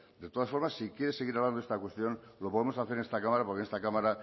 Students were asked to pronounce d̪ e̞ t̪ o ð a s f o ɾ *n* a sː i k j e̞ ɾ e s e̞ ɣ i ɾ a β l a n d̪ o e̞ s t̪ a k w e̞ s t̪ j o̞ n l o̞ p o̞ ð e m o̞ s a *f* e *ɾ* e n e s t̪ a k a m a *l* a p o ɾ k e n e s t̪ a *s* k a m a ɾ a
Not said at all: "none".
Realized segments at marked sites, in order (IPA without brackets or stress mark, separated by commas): m, θ, ɾ, ɾ, none